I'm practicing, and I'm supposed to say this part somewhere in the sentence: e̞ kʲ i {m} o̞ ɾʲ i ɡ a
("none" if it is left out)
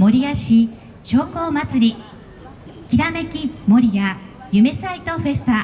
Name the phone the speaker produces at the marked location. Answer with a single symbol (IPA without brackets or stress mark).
m